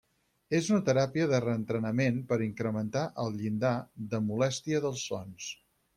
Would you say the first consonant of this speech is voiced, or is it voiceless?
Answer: voiced